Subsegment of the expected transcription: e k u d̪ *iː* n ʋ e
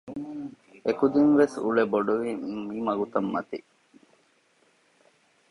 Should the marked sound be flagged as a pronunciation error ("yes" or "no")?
yes